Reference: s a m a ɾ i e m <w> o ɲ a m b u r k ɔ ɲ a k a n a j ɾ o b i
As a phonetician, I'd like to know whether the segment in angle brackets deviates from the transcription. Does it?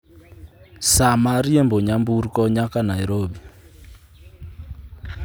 yes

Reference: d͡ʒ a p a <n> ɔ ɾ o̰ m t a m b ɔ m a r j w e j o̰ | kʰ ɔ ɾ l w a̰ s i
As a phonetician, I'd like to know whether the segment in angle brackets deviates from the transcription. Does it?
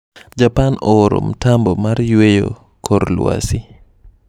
no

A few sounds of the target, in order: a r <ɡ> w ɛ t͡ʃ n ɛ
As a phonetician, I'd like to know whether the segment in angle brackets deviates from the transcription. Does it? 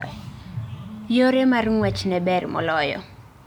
yes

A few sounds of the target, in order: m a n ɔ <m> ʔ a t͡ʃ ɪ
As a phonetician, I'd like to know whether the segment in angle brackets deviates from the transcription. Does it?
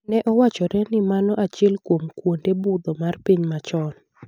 yes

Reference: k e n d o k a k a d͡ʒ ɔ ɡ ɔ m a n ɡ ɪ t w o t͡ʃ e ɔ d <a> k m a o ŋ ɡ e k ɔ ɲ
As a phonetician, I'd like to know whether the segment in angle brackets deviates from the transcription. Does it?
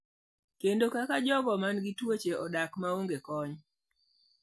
no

